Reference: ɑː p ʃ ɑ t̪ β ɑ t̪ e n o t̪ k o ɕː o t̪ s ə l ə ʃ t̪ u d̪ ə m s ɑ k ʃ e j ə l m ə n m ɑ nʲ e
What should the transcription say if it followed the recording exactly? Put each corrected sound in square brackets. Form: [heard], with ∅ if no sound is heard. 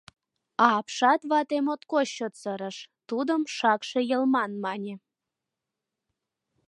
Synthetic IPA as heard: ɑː p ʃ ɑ t̪ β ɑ t̪ e [m] o t̪ k o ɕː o t̪ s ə [ɾ] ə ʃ t̪ u d̪ ə m [ʃ] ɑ k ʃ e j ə l m [ɑ] n m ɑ nʲ e

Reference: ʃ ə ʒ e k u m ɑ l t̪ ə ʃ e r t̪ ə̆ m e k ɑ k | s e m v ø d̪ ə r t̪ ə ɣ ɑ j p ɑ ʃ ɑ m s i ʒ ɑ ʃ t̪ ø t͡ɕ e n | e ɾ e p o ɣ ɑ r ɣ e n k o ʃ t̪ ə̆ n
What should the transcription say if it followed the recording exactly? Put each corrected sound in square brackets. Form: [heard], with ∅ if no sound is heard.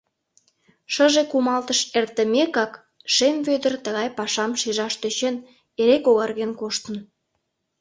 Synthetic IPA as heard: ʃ ə ʒ e k u m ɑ l t̪ ə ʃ e r t̪ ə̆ m e k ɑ k | [ʃ] e m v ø d̪ ə r t̪ ə ɣ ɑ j p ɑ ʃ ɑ m [ʃ] i ʒ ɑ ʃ t̪ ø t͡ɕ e n | e ɾ e [k] o ɣ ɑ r ɣ e n k o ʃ t̪ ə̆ n

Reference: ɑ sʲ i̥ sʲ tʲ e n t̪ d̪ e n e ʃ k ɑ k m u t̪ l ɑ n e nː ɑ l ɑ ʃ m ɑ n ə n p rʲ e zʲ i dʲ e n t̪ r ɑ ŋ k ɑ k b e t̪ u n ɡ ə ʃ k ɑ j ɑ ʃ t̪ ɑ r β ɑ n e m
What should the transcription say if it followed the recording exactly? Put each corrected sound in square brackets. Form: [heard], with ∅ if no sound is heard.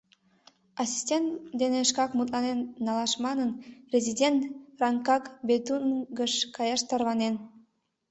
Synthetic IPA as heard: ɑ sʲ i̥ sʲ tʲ e n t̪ d̪ e n e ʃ k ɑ k m u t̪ l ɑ n e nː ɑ l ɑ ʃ m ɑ n ə n p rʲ e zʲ i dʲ e n t̪ r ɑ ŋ k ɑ k b e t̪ u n ɡ ə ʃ k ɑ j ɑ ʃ t̪ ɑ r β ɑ n e [n]

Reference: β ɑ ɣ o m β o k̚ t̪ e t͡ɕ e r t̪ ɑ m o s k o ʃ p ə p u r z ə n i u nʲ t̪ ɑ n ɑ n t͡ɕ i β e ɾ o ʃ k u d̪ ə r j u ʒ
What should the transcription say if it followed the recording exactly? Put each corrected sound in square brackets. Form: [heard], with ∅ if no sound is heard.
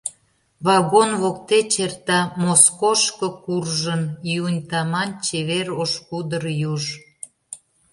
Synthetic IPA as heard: β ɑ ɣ o [n] β o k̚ t̪ e t͡ɕ e r t̪ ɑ m o s k o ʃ [k] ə [k] u r [ʒ] ə n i u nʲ t̪ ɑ [m] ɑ n t͡ɕ [e] β e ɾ o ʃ k u d̪ ə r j u ʒ

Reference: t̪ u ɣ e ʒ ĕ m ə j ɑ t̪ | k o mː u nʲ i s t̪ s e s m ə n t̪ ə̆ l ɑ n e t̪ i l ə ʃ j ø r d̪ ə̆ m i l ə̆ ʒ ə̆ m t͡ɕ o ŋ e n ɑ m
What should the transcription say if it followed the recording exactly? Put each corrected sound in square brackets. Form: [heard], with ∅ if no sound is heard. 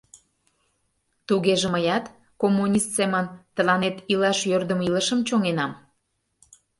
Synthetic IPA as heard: t̪ u ɣ e ʒ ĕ m ə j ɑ t̪ | k o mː u nʲ i s t̪ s e [∅] m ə n t̪ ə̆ l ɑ n e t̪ i l [ɑ] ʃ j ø r d̪ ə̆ m i l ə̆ [ʃ] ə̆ m t͡ɕ o ŋ e n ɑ m

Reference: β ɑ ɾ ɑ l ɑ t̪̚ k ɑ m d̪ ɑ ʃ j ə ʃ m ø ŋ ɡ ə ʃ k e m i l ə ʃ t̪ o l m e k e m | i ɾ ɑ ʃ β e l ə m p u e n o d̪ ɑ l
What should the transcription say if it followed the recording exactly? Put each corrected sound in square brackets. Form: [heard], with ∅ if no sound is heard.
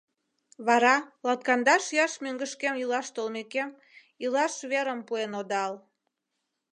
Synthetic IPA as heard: β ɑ ɾ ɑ l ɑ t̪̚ k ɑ [n] d̪ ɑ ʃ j [ɑ] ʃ m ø ŋ ɡ ə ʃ k e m i l [ɑ] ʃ t̪ o l m e k e m | i [l] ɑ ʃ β e [ɾ] ə m p u e n o d̪ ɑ l

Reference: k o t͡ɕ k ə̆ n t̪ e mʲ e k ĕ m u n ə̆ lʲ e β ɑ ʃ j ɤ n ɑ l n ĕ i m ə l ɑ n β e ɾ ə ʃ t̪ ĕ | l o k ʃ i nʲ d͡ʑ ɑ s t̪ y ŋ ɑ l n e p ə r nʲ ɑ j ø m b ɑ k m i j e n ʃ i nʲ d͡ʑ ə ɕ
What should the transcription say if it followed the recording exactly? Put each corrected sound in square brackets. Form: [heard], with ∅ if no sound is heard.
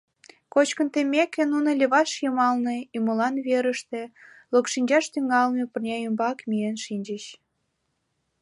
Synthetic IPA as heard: k o t͡ɕ k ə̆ n t̪ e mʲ e k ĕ [n] u n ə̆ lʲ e β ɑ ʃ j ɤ [m] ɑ l n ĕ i m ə l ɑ n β e ɾ ə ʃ t̪ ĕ | l o k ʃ i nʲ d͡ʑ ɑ [ʃ] t̪ y ŋ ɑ l n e p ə r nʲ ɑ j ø m b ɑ k m i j e n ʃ i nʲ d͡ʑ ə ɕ

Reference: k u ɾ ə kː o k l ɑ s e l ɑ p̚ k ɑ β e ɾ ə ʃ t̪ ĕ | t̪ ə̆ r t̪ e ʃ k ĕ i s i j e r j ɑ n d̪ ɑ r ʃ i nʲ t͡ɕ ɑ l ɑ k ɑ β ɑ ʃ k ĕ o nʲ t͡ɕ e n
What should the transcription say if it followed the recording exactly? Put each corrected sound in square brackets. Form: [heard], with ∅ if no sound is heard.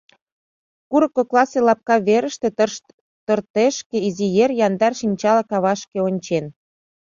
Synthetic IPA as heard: k u ɾ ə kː o k l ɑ s e l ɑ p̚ k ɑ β e ɾ ə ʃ t̪ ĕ | t̪ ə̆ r t̪ e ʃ k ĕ i [z] i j e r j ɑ n d̪ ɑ r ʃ i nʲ t͡ɕ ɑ l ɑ k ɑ β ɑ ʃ k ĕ o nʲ t͡ɕ e n

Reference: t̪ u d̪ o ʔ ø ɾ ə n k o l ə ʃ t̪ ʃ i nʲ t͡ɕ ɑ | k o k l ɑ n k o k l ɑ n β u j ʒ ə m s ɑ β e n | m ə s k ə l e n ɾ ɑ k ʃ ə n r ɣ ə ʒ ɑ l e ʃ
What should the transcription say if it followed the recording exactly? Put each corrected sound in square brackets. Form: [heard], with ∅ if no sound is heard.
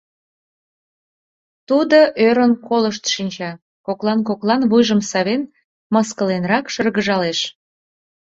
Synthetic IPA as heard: t̪ u d̪ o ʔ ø ɾ ə n k o l ə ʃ t̪ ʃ i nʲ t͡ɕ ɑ | k o k l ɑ n k o k l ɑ n β u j ʒ ə m s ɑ β e n | m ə s k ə l e n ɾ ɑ k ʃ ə [∅] r ɣ ə ʒ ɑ l e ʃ

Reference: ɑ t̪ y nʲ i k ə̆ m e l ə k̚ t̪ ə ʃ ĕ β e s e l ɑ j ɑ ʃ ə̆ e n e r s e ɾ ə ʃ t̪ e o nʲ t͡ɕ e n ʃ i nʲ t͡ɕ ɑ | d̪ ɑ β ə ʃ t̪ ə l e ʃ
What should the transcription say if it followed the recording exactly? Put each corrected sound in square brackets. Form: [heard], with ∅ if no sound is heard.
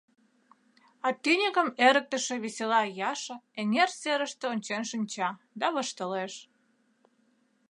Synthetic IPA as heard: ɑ t̪ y nʲ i k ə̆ m e [ɾ] ə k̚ t̪ ə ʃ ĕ β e s e l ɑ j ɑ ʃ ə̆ e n e r s e ɾ ə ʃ t̪ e o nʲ t͡ɕ e n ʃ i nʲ t͡ɕ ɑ | d̪ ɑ β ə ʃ t̪ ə l e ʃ

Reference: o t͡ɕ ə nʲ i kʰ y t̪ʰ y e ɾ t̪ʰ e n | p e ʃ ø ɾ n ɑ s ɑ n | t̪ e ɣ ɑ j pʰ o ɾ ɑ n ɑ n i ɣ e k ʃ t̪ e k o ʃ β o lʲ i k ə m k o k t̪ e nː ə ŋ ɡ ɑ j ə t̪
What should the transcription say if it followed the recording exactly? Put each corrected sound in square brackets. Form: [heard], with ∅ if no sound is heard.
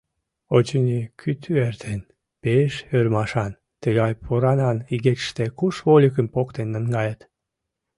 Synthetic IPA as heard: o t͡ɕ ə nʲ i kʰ y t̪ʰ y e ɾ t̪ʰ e n | p e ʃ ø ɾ [m] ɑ [ʃ] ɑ n | t̪ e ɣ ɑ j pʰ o ɾ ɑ n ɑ n i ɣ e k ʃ t̪ e k [u] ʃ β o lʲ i k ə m [p] o k t̪ e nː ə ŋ ɡ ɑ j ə t̪

